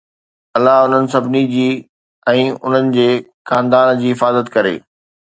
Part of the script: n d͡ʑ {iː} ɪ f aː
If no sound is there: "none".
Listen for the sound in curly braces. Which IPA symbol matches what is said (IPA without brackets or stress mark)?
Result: iː